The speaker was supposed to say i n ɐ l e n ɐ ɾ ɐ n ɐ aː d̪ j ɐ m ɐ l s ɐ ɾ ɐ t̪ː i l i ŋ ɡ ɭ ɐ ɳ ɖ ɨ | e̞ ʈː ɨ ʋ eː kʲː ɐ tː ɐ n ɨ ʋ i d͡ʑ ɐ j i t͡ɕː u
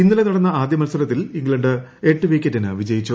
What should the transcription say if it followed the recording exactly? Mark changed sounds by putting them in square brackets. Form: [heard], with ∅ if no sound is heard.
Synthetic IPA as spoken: i [nː] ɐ l e n ɐ [ɽ] ɐ [nː] ɐ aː d̪ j ɐ m ɐ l s ɐ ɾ ɐ t̪ː i l i ŋ ɡ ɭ ɐ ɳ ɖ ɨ | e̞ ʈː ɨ ʋ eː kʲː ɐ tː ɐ n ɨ ʋ i d͡ʑ ɐ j i t͡ɕː u